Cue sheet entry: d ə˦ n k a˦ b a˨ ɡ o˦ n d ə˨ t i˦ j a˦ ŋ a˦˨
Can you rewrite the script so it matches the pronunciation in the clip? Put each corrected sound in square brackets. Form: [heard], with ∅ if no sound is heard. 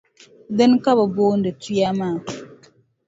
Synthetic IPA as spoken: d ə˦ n k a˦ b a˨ [b] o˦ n d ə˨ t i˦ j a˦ [m] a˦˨